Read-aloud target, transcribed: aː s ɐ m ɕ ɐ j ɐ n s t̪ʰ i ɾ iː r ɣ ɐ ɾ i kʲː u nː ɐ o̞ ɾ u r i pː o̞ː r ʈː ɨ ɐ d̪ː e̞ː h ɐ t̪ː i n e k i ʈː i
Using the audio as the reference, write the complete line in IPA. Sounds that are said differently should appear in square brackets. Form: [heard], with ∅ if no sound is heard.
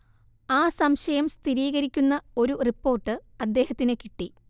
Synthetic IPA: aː s ɐ m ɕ ɐ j ɐ [m] s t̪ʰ i ɾ iː [∅] ɣ ɐ ɾ i kʲː u nː ɐ o̞ ɾ u r i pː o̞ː r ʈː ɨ ɐ d̪ː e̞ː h ɐ t̪ː i n e k i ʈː i